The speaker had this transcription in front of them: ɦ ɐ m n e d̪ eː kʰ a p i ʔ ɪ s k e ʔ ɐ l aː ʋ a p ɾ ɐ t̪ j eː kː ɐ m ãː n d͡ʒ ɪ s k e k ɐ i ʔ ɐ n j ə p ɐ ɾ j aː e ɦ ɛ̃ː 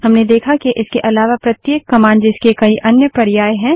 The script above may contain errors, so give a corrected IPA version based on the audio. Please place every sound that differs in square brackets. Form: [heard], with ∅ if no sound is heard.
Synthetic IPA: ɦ ɐ m n e d̪ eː kʰ a [k] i ʔ ɪ s k e ʔ ɐ l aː ʋ a p ɾ ɐ t̪ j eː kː ɐ m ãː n d͡ʒ ɪ s k e k ɐ i ʔ ɐ n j ə p ɐ ɾ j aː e ɦ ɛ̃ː